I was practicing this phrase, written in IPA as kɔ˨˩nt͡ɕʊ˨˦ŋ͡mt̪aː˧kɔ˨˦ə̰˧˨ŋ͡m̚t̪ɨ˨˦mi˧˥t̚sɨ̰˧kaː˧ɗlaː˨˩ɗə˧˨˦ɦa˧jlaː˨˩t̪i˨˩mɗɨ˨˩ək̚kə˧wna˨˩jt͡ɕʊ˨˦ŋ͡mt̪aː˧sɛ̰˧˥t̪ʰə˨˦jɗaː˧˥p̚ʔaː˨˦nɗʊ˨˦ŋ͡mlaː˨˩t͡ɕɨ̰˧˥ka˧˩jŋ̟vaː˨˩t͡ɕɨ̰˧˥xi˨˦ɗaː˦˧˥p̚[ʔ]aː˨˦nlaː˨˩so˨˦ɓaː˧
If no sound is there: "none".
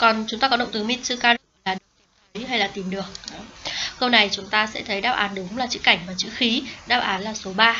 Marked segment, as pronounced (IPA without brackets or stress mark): ʔ